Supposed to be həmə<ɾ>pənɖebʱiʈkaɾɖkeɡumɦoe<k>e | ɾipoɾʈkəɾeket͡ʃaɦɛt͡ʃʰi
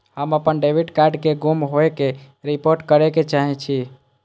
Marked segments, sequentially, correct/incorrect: incorrect, correct

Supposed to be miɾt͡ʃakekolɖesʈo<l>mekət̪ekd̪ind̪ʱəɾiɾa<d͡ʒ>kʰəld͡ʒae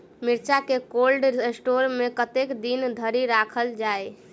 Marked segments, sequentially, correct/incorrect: incorrect, incorrect

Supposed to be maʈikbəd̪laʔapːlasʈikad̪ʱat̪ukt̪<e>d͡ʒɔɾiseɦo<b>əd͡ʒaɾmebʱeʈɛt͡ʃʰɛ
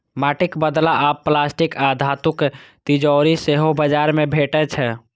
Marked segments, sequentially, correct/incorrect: incorrect, correct

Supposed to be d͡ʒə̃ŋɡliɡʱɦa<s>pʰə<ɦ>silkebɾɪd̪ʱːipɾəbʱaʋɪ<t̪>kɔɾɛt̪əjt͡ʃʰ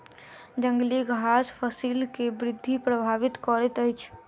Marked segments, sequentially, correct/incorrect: correct, incorrect, correct

